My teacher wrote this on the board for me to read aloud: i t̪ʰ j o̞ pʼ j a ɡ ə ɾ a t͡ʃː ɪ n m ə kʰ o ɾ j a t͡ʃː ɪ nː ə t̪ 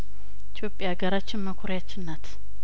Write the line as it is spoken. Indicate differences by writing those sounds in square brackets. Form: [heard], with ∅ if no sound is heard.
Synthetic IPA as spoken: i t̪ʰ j o̞ pʼ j a ɡ ə ɾ a t͡ʃː ɪ n m ə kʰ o ɾ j a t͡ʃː ɪ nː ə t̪